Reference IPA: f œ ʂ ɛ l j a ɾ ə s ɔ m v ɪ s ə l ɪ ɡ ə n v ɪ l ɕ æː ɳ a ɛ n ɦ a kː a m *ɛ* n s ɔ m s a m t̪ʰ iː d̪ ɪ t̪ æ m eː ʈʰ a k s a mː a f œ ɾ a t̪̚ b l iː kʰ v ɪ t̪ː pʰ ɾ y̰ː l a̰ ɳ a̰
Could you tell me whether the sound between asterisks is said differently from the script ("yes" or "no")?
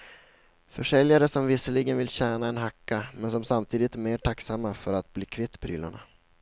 no